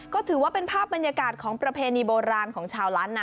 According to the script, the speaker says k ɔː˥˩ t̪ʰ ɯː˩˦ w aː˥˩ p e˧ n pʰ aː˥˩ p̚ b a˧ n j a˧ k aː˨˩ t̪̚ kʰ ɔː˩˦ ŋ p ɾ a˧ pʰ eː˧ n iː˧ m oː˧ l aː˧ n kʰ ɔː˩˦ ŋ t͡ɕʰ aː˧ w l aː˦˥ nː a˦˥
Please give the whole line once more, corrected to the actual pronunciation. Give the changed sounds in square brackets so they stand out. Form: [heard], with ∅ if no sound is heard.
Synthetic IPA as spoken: k ɔː˥˩ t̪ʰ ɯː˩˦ w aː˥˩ p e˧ n pʰ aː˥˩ p̚ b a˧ n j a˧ k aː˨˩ t̪̚ kʰ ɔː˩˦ ŋ p ɾ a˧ pʰ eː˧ n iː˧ [b] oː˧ [ɾ] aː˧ n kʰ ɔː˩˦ ŋ t͡ɕʰ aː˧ w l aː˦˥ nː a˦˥